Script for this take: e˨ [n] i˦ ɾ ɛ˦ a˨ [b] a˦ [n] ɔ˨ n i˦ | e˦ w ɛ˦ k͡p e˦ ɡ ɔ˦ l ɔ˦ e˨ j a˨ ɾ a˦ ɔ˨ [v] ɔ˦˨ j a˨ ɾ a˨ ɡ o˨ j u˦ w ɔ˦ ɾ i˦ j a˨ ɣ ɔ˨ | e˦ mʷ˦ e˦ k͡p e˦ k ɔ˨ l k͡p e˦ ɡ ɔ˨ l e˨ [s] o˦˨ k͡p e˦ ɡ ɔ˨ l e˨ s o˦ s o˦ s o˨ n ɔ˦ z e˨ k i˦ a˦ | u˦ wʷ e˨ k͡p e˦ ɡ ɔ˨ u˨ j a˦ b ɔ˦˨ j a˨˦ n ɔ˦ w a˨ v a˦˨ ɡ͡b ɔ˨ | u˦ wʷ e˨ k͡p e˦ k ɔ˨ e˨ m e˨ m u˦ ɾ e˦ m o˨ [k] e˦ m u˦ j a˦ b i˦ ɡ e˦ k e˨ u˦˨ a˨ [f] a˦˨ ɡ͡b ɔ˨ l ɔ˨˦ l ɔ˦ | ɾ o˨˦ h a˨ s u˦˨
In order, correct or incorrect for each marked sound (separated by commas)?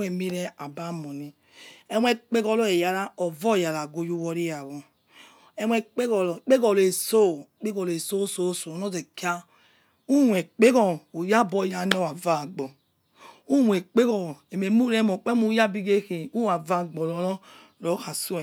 incorrect, correct, incorrect, correct, correct, incorrect, incorrect